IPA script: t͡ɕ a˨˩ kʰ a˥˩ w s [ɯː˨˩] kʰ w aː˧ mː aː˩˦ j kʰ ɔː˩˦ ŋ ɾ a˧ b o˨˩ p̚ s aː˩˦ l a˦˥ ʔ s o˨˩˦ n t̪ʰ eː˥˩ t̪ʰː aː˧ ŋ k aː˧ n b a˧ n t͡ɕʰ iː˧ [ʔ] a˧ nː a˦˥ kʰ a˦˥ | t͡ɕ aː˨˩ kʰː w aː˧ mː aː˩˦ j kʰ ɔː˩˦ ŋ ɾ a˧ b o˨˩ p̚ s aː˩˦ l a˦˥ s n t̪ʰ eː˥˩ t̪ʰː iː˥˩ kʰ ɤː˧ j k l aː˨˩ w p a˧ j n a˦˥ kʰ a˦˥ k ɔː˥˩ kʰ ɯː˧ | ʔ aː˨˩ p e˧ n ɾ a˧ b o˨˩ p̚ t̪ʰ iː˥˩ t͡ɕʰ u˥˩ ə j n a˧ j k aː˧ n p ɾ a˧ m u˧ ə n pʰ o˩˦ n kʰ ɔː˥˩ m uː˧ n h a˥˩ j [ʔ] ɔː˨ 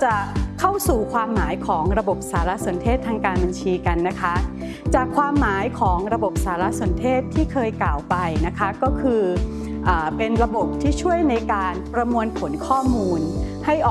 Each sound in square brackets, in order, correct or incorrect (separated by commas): incorrect, incorrect, correct